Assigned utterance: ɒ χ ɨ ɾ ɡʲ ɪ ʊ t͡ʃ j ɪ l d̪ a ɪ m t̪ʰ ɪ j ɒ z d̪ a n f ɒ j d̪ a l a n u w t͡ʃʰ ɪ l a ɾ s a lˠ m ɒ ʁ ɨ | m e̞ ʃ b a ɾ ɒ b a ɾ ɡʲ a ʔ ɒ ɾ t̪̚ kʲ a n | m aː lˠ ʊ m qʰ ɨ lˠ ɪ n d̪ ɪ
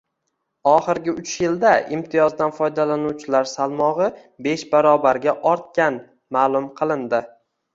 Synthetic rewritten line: ɒ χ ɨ ɾ ɡʲ ɪ ʊ t͡ʃ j ɪ l d̪ a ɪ m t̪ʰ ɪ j ɒ z d̪ a n f ɒ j d̪ a l a n u w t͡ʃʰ ɪ l a ɾ s a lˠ m ɒ ʁ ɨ | b e̞ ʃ b a ɾ ɒ b a ɾ ɡʲ a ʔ ɒ ɾ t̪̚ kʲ a n | m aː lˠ ʊ m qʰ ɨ lˠ ɪ n d̪ ɪ